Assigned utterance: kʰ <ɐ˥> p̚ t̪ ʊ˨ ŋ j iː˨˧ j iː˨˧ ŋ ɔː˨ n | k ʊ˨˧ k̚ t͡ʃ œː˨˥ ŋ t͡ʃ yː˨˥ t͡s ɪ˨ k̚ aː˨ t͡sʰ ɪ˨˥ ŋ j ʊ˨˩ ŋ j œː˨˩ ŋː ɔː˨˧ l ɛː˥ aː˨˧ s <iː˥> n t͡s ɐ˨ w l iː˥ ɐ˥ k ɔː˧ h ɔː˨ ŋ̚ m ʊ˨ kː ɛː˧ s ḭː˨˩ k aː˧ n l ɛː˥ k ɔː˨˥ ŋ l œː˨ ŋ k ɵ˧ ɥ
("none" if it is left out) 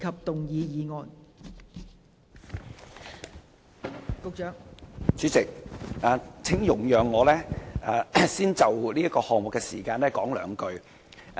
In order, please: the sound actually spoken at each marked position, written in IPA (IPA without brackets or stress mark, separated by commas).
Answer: ɐ˨, iː˥